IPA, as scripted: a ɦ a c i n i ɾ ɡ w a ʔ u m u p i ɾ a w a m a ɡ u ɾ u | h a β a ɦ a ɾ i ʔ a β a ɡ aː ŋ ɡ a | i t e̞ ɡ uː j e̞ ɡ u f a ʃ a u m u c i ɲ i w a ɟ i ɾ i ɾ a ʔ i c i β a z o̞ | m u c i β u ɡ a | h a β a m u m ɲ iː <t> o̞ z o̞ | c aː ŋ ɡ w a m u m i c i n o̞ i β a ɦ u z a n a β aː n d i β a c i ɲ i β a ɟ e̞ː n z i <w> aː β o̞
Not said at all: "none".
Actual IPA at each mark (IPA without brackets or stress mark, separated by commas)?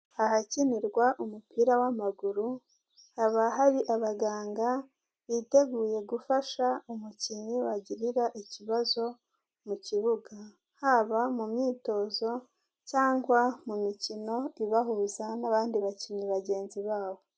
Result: t, β